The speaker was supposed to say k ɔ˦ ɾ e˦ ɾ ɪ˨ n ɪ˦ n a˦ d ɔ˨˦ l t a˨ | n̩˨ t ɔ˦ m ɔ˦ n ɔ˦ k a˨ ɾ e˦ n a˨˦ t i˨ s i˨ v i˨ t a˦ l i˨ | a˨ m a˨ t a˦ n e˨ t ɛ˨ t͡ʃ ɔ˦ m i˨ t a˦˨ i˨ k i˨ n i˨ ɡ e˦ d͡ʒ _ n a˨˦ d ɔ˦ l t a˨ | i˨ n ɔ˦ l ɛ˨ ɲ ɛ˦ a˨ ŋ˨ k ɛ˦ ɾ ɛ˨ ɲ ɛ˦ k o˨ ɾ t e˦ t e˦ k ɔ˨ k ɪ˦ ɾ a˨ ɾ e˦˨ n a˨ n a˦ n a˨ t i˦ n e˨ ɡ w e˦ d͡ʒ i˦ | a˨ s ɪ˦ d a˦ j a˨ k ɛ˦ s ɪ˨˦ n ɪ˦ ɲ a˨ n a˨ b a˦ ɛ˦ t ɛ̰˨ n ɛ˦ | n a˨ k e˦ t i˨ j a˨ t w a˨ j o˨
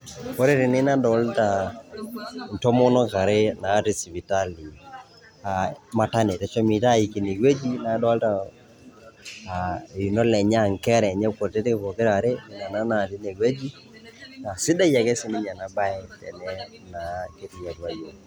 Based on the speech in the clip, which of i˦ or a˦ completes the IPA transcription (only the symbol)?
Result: i˦